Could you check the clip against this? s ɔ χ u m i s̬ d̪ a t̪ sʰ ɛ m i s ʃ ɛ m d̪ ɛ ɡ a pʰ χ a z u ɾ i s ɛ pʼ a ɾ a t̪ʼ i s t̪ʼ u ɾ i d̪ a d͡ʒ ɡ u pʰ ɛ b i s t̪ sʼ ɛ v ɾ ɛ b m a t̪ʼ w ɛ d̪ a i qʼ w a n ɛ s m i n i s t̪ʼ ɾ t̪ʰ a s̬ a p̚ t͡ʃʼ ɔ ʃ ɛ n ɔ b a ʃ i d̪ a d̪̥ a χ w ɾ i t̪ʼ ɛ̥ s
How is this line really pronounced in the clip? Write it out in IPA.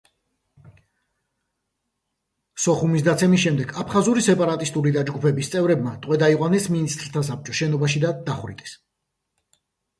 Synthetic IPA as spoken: s ɔ χ u m i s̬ d̪ a t̪ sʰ ɛ m i s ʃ ɛ m d̪ ɛ ɡ a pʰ χ a z u ɾ i s ɛ pʼ a ɾ a t̪ʼ i s t̪ʼ u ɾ i d̪ a d͡ʒ ɡ u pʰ ɛ b i s t̪ sʼ ɛ v ɾ ɛ b m a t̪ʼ w ɛ d̪ a i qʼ w a n ɛ s m i n i s t̪ʼ ɾ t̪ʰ a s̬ a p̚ t͡ʃʼ ɔ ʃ ɛ n ɔ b a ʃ i d̪ a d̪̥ a χ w ɾ i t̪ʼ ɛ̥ s